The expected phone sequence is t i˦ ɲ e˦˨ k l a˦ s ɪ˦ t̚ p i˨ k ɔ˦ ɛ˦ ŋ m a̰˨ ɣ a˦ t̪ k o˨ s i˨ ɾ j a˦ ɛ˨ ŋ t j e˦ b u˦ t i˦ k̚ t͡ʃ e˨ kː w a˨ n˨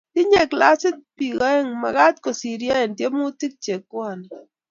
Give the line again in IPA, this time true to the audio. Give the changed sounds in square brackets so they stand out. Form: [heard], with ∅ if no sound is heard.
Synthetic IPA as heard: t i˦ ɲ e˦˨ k l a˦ s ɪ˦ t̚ p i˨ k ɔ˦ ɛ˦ ŋ m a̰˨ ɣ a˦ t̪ k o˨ s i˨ ɾ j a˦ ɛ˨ [n] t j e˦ [m] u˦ t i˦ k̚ t͡ʃ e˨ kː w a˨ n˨